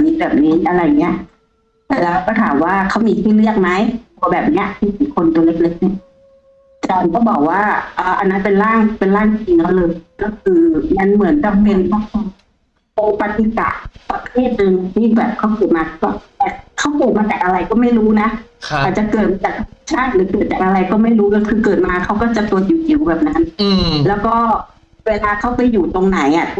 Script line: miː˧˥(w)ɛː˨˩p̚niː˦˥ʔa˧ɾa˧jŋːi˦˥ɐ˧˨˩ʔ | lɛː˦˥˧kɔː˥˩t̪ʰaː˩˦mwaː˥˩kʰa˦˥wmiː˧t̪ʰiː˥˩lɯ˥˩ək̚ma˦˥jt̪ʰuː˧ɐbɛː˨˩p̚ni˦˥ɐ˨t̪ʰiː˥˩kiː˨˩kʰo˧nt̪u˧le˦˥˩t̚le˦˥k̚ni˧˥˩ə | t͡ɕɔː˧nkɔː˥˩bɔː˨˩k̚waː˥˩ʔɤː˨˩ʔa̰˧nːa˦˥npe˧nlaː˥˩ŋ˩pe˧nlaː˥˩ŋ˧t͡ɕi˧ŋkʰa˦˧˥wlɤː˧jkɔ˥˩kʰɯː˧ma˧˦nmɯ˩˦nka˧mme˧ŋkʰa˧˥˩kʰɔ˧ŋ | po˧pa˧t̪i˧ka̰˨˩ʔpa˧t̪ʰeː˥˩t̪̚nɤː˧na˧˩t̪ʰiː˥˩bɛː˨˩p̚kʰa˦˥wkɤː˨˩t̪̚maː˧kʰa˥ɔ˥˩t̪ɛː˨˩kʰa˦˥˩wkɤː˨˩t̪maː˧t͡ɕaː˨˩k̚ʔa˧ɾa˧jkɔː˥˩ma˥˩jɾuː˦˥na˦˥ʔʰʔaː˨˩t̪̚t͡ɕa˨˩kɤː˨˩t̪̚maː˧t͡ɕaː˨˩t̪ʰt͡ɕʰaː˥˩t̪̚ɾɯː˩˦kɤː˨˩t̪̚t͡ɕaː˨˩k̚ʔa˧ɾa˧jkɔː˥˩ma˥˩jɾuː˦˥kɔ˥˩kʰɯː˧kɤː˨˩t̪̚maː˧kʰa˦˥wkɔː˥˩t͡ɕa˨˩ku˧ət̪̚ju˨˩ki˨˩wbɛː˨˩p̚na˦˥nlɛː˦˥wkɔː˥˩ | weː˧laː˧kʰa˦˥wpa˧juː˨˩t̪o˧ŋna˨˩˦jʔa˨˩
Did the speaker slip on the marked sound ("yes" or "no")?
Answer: yes